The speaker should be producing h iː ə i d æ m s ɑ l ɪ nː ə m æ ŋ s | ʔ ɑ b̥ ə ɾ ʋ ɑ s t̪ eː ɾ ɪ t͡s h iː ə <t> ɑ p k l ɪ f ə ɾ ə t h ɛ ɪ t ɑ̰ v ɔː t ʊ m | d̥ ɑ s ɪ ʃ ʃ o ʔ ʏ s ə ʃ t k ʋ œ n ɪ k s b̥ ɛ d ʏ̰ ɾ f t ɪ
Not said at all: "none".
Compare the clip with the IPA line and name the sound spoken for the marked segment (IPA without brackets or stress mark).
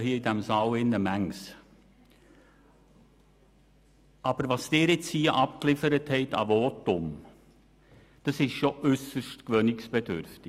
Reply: ʔ